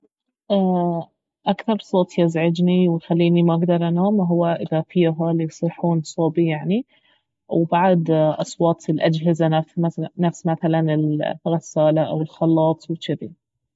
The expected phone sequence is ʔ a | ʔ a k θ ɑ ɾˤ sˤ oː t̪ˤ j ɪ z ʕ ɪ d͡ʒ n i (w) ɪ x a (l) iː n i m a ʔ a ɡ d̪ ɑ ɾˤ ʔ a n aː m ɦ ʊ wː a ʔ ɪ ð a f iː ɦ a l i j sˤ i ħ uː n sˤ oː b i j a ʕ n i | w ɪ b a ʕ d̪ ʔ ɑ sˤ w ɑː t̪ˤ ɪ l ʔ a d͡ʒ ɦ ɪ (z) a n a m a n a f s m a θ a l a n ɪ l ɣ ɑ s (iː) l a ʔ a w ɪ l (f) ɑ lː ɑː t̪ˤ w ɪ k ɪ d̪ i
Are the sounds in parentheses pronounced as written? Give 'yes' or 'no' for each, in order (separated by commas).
yes, no, yes, no, no